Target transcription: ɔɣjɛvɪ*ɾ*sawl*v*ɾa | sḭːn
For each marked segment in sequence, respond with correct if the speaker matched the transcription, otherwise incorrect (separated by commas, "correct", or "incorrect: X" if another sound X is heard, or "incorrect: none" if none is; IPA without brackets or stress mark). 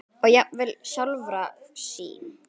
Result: incorrect: l, correct